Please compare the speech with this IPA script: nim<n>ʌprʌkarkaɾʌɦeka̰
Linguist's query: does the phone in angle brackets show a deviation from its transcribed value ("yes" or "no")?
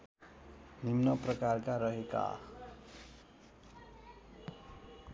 no